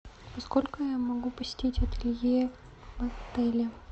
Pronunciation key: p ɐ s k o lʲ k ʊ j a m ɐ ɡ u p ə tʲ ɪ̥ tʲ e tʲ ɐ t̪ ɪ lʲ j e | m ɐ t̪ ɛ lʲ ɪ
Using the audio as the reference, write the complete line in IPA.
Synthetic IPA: p ɐ s k o lʲ k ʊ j a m ɐ ɡ u p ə sʲ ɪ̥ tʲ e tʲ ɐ t̪ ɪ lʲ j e | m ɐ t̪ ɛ lʲ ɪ